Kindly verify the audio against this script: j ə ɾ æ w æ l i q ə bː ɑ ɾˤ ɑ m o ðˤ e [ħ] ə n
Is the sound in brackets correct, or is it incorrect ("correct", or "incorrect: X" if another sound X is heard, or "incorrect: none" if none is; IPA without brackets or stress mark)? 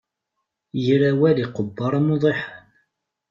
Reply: correct